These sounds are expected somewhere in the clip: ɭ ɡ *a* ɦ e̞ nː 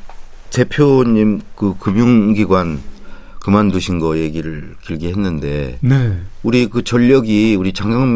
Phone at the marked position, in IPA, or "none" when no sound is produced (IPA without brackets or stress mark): i